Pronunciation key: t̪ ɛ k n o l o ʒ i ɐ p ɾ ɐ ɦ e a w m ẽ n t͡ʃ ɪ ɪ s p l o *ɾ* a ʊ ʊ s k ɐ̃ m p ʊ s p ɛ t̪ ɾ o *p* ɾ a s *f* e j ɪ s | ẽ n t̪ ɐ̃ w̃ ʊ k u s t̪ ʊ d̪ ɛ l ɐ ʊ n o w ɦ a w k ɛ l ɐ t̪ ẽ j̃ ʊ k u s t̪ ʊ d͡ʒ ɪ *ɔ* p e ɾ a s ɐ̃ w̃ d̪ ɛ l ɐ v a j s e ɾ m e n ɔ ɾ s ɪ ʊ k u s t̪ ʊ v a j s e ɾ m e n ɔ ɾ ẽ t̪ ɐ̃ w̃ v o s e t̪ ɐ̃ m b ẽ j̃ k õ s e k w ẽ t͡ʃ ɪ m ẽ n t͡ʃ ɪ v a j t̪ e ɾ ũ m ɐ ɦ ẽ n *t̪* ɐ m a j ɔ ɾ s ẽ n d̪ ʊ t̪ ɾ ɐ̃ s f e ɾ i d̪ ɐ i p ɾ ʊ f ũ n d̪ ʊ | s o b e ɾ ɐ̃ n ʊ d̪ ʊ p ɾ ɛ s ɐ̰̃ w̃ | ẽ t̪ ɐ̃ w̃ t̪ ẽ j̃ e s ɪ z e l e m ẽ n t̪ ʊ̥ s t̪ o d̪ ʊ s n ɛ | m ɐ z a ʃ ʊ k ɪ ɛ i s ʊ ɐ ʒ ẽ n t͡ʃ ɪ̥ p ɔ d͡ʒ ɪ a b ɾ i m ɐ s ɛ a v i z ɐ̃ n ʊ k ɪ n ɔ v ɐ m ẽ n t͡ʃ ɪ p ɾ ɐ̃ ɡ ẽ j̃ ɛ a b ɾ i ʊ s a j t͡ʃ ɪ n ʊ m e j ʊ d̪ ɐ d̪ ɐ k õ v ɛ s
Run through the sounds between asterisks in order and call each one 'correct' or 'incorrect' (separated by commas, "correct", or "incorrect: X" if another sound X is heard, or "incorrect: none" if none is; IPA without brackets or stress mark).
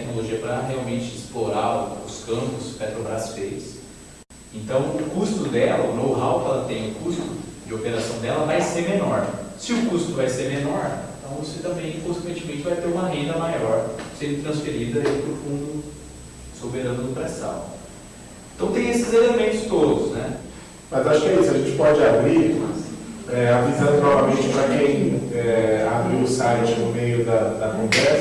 correct, incorrect: b, correct, incorrect: o, incorrect: d̪